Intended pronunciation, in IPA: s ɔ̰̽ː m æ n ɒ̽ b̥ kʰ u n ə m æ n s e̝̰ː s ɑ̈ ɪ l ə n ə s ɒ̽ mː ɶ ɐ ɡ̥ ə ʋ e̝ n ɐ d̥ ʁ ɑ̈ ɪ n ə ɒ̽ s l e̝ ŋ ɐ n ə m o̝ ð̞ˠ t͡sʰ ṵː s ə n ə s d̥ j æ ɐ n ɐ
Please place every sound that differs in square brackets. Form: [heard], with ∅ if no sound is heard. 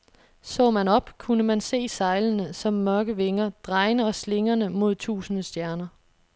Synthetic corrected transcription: s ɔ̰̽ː m æ n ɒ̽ b̥ kʰ u n ə m æ n s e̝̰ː s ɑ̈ ɪ l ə n ə s ɒ̽ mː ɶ ɐ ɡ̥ ə ʋ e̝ [ŋ] ɐ d̥ ʁ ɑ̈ ɪ n ə ɒ̽ s l e̝ ŋ ɐ n ə m o̝ ð̞ˠ t͡sʰ ṵː s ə n ə s d̥ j æ ɐ n ɐ